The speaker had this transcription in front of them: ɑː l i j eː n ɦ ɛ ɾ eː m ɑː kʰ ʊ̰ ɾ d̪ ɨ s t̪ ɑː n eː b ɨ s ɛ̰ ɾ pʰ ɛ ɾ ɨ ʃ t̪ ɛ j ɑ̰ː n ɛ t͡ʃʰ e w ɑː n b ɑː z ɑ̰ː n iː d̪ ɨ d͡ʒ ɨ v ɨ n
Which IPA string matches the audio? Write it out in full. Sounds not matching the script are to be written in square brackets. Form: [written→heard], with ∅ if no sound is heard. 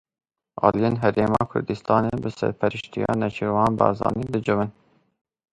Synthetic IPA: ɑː l i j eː n ɦ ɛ ɾ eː m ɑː kʰ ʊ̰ ɾ d̪ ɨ s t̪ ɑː n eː b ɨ s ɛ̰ ɾ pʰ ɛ ɾ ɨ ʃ t̪ [ɛ→i] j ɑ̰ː n ɛ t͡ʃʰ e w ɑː n b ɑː z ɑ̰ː n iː d̪ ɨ d͡ʒ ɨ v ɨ n